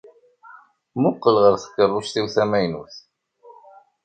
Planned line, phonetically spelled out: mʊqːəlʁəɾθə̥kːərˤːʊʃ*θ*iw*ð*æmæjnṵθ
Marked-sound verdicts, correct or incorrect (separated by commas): correct, incorrect